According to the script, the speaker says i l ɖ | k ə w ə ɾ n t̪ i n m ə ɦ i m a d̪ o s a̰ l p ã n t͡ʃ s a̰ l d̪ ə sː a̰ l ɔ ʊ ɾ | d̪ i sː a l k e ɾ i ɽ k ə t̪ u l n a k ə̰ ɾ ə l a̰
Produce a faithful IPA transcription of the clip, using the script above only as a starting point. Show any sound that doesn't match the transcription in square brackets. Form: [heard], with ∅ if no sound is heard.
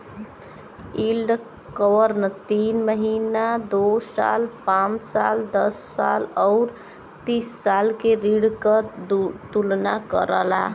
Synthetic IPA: i l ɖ | k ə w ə ɾ n t̪ i n m ə ɦ i [n] a d̪ o s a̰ l p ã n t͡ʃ s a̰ l d̪ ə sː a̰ l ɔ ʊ ɾ | [t̪] i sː a l k e ɾ i ɽ k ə t̪ u l n a k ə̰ ɾ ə l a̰